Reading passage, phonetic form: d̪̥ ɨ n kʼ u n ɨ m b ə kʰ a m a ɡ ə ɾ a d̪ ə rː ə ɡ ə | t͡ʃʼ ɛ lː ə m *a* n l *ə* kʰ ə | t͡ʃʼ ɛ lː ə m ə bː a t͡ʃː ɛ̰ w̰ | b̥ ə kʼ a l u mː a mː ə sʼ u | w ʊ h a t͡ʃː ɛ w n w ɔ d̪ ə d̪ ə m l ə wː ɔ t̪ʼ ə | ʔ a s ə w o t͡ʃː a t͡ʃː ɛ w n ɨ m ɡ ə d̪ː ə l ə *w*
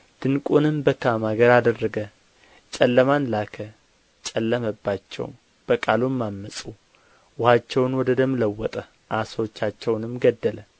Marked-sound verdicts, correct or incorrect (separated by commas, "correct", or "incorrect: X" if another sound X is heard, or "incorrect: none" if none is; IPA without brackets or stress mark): correct, incorrect: a, incorrect: none